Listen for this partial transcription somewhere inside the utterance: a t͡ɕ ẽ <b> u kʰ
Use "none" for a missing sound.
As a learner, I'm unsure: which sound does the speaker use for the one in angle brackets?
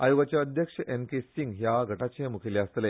m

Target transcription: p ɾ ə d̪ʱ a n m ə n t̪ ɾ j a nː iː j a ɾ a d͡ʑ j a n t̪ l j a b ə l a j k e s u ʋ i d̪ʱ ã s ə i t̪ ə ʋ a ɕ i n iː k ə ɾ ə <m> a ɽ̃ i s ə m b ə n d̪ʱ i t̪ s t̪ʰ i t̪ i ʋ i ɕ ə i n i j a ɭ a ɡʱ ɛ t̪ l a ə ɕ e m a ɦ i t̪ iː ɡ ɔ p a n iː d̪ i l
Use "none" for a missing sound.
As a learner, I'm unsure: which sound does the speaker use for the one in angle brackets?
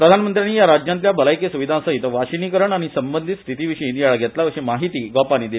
ɳ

